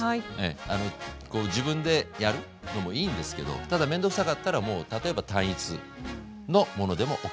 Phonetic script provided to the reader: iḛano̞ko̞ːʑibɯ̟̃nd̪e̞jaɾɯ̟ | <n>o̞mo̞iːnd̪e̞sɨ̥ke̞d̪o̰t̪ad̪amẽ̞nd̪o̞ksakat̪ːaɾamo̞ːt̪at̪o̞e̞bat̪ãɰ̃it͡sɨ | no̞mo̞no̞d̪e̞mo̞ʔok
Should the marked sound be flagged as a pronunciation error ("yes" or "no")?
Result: no